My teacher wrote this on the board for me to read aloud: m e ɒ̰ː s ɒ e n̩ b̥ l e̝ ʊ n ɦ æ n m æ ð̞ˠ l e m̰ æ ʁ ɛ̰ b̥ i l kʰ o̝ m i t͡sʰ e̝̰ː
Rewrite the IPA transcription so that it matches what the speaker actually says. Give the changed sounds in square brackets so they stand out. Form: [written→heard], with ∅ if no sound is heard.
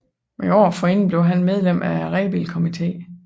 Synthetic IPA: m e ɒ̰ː [s→f] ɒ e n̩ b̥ l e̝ ʊ [n→∅] ɦ æ n m [æ→e] ð̞ˠ l e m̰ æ ʁ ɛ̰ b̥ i l kʰ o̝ m i t͡sʰ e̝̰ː